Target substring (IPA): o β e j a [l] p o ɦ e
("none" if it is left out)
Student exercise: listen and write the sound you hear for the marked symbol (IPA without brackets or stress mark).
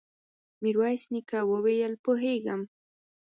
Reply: l